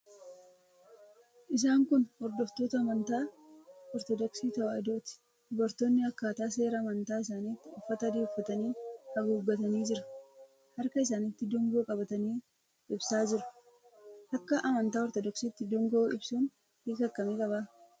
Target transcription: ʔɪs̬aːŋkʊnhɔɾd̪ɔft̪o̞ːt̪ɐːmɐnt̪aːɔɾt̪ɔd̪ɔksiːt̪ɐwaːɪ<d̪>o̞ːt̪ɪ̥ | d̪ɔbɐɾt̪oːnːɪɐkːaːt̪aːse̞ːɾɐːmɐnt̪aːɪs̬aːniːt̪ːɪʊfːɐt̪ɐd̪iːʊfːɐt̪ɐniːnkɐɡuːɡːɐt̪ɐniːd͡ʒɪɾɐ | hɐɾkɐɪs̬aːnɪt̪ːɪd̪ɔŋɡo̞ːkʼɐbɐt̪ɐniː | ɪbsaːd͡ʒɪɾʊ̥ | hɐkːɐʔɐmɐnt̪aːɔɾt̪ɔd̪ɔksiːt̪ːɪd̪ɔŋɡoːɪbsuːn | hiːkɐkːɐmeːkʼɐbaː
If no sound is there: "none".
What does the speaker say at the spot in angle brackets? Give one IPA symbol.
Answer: d̪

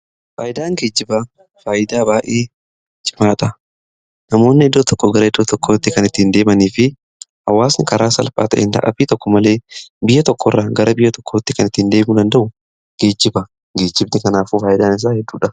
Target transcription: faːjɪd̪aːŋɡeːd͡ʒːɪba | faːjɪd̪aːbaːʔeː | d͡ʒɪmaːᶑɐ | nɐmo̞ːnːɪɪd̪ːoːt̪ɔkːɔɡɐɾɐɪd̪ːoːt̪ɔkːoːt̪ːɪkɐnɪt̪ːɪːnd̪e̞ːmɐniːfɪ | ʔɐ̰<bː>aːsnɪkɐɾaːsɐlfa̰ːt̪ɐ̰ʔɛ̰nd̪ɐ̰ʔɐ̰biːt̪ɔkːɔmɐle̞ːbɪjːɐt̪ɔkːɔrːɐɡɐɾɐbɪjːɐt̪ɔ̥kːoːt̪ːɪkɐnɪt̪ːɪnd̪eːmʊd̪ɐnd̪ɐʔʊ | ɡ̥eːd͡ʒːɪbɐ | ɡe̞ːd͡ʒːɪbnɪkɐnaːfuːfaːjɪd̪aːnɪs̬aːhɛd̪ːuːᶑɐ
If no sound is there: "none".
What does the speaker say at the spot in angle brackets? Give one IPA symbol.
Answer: wː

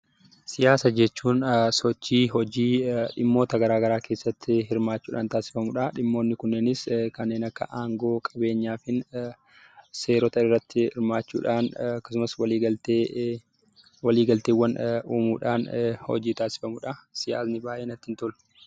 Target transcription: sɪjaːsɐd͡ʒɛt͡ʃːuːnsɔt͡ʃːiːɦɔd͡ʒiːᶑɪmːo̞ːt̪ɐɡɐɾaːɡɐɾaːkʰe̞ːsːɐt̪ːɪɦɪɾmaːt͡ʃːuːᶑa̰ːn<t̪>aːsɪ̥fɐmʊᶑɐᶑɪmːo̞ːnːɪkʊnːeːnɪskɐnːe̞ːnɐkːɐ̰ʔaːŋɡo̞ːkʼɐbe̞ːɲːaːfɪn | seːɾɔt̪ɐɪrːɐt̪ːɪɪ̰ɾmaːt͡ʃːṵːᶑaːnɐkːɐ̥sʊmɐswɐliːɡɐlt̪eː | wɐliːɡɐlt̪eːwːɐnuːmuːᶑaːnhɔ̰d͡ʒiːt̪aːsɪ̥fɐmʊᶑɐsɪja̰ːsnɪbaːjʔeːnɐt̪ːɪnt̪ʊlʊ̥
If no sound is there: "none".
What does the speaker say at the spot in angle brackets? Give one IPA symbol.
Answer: t̪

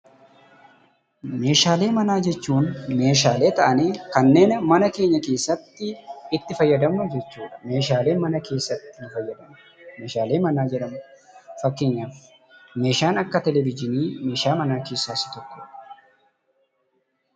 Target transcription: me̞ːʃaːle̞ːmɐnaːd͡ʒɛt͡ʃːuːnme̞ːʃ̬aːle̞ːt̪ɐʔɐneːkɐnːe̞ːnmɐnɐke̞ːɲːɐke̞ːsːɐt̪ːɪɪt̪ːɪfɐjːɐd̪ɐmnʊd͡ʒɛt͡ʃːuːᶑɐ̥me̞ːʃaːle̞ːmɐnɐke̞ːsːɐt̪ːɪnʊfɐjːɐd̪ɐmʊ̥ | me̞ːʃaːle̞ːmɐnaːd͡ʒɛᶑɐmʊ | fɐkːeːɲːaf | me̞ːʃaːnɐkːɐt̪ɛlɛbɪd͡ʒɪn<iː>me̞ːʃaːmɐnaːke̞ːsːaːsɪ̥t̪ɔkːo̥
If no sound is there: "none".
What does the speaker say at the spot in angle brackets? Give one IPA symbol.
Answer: iː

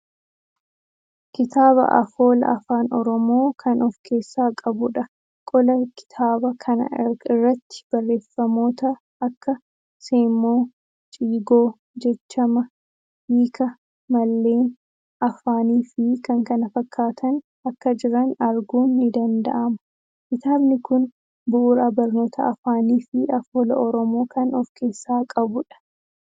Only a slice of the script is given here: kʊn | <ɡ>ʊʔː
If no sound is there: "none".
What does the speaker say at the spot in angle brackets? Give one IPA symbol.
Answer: b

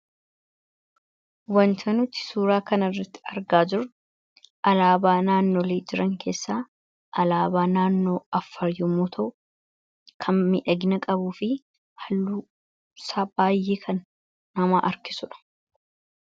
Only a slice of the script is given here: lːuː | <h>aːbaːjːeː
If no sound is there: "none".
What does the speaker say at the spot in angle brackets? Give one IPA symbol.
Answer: s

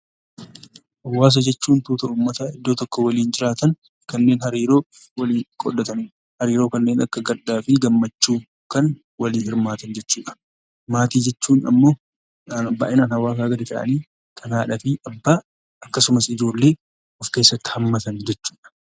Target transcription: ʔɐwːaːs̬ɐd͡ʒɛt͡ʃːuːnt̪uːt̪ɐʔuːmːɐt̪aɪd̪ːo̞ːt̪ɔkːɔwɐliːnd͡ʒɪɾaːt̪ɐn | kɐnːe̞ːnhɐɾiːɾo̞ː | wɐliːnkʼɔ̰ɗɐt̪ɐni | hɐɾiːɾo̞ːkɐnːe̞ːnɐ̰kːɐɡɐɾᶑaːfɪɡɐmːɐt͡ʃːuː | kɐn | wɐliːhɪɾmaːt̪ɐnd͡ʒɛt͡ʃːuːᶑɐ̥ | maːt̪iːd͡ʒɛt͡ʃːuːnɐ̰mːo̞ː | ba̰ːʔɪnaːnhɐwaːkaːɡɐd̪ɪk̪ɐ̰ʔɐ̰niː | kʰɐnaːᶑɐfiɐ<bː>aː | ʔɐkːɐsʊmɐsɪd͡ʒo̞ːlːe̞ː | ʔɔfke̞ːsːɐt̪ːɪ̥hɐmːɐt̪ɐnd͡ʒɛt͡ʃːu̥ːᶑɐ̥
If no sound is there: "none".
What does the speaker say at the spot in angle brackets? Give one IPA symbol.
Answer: bː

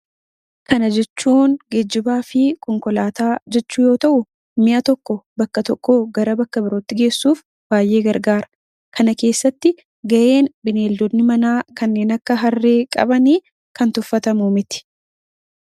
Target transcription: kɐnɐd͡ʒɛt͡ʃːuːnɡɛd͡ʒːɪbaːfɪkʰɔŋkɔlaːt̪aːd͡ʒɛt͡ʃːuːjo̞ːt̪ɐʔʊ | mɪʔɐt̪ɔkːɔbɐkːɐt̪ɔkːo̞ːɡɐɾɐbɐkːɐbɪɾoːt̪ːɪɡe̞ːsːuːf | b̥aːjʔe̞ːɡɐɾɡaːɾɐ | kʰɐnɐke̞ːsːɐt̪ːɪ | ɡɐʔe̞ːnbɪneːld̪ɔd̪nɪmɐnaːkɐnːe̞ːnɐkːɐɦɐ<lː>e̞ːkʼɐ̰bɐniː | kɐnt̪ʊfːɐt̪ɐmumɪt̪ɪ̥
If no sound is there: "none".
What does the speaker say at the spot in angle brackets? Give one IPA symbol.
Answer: rː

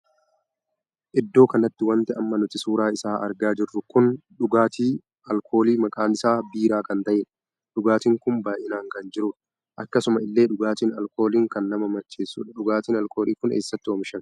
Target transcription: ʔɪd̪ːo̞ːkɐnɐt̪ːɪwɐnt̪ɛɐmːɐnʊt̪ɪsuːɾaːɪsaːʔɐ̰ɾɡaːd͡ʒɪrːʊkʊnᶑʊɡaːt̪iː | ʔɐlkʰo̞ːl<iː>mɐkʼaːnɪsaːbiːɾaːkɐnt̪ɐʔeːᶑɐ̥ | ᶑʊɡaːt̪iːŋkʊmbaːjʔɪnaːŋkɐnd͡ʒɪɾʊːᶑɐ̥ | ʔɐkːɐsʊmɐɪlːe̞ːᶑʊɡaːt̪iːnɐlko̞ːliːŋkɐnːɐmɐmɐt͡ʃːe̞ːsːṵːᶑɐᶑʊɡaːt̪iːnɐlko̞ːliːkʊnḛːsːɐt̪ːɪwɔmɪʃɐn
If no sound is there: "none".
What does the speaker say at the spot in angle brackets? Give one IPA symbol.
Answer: iː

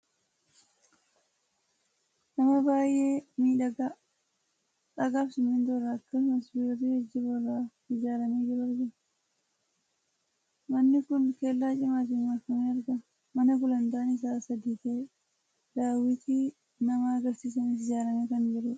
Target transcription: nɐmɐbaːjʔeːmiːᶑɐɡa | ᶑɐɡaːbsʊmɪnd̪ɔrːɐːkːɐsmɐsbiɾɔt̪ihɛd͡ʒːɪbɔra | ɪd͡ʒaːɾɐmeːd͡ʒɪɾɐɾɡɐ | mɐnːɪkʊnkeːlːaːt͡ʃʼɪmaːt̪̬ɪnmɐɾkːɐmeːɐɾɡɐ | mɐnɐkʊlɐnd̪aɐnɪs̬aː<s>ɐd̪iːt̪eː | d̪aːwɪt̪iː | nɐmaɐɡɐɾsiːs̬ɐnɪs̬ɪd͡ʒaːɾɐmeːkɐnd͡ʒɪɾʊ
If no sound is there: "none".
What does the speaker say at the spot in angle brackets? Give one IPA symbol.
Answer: s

